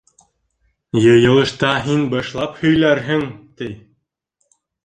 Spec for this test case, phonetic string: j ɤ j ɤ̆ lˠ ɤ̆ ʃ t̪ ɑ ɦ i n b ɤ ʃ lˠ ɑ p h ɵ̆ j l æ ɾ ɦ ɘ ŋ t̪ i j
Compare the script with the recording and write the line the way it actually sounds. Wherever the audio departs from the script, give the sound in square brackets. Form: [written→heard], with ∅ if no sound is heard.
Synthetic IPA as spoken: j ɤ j ɤ̆ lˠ ɤ̆ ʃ t̪ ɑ ɦ i n b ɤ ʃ lˠ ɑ p h ɵ̆ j l æ ɾ ɦ ɘ ŋ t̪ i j

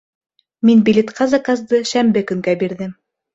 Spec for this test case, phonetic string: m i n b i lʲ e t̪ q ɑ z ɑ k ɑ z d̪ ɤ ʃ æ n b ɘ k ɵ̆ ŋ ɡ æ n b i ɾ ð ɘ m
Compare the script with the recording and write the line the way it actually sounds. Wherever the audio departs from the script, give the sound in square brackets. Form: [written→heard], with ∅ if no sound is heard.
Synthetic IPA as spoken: m i n b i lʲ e t̪ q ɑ z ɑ k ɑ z d̪ ɤ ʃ æ [n→m] b ɘ k ɵ̆ ŋ ɡ æ [n→∅] b i ɾ ð ɘ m

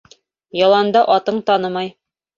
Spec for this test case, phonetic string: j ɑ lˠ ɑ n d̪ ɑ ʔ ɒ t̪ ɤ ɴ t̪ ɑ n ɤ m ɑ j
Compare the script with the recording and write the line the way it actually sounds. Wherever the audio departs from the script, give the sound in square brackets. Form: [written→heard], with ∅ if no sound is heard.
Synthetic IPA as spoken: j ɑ lˠ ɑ n d̪ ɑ ʔ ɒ t̪ ɤ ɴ t̪ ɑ n ɤ m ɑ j

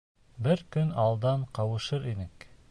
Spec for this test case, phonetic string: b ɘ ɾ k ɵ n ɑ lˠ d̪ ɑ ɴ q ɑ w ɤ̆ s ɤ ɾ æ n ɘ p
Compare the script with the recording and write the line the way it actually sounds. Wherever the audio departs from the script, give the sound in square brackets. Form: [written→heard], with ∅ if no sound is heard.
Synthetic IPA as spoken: b ɘ ɾ k ɵ n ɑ lˠ d̪ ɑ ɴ q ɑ w ɤ̆ [s→ʃ] ɤ ɾ [æ→i] n ɘ [p→k]

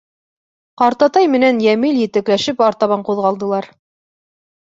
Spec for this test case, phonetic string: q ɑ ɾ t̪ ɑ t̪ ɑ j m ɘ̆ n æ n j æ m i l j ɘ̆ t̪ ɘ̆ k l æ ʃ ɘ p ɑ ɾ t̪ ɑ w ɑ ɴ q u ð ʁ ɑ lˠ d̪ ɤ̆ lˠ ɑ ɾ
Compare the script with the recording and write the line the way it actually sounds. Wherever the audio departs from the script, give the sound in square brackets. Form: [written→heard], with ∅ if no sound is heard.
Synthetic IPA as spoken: q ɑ ɾ t̪ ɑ t̪ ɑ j m ɘ̆ n æ n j æ m i l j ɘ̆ t̪ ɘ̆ k l æ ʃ ɘ p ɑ ɾ t̪ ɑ [w→β] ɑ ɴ q u ð ʁ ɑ lˠ d̪ ɤ̆ lˠ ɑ ɾ

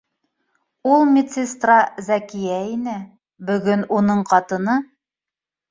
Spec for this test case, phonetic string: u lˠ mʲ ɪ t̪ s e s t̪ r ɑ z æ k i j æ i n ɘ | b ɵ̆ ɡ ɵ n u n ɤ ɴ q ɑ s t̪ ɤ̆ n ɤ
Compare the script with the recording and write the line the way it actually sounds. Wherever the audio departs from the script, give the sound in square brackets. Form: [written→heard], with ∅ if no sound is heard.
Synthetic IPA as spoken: u lˠ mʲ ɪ t̪ s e s t̪ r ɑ z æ k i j æ i n ɘ | b ɵ̆ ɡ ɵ n u n ɤ ɴ q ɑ [s→∅] t̪ ɤ̆ n ɤ

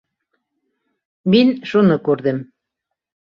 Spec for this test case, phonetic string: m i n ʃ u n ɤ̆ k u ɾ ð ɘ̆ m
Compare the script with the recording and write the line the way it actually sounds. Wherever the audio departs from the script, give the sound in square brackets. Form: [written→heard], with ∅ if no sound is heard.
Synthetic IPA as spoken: m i n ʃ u n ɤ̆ k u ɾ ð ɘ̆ m

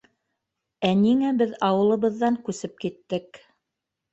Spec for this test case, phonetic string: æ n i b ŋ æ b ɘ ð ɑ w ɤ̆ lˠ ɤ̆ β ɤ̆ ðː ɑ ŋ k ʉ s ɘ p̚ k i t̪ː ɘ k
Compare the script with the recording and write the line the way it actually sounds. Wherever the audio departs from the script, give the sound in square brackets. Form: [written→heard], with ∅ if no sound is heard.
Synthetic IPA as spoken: æ n i [b→∅] ŋ æ b ɘ ð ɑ w ɤ̆ lˠ ɤ̆ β ɤ̆ ðː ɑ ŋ k ʉ s ɘ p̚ k i t̪ː ɘ k

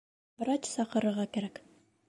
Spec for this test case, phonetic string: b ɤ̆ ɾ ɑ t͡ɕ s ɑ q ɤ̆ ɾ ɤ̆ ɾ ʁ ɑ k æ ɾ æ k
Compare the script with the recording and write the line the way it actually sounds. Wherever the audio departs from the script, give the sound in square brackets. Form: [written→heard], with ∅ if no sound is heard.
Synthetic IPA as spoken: b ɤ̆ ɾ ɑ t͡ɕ s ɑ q ɤ̆ ɾ ɤ̆ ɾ ʁ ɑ k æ ɾ æ k

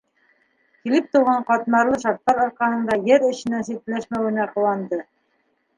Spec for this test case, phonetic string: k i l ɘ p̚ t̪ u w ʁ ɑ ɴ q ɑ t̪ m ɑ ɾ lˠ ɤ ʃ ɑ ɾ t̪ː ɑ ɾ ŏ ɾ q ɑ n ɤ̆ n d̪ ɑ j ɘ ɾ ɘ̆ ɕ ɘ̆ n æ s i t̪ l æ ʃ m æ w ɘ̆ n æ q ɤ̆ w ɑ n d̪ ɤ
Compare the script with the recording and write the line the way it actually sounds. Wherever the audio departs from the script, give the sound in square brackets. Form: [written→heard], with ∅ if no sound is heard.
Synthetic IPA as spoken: k i l ɘ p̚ t̪ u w ʁ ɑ ɴ q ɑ t̪ m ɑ ɾ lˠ ɤ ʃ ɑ ɾ t̪ː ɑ ɾ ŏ ɾ q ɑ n ɤ̆ n d̪ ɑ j ɘ ɾ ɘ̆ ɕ ɘ̆ n æ s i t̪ l æ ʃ m æ w ɘ̆ n æ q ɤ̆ w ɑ n d̪ ɤ

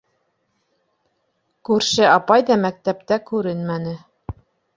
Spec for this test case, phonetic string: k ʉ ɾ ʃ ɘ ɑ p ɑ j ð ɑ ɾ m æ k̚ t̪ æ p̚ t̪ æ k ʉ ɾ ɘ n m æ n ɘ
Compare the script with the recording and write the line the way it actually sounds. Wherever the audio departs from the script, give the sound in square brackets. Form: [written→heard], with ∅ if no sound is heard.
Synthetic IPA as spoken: k ʉ ɾ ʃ ɘ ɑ p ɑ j ð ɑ [ɾ→∅] m æ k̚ t̪ æ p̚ t̪ æ k ʉ ɾ ɘ n m æ n ɘ

